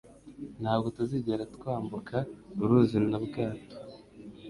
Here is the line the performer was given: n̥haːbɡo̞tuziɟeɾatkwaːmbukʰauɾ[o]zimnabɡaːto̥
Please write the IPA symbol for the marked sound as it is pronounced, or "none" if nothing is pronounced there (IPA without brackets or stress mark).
u